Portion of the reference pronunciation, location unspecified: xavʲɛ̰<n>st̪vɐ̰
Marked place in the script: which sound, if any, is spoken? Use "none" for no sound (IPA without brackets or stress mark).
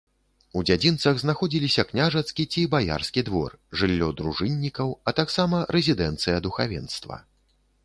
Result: n